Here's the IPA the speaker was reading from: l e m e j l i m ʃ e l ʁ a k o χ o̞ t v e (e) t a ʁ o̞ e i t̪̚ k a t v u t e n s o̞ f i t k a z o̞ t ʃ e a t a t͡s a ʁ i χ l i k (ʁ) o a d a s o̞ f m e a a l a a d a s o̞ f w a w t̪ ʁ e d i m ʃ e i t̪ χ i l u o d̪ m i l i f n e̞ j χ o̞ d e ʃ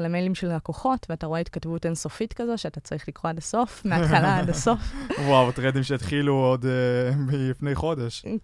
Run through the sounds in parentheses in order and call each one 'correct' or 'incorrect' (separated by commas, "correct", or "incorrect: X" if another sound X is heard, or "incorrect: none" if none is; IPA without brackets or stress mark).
incorrect: a, correct